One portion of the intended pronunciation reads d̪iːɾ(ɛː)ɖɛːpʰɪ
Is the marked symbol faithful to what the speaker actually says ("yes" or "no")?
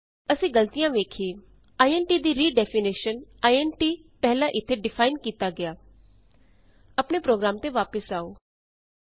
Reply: no